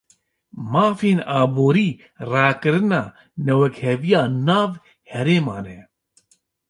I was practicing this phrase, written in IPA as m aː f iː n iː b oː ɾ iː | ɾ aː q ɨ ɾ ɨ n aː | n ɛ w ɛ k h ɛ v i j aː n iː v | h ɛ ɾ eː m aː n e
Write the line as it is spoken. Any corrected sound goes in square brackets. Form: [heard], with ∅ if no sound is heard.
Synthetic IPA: m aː f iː n [aː] b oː ɾ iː | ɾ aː [k] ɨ ɾ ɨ n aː | n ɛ w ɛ k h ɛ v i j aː n [aː] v | h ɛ ɾ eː m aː n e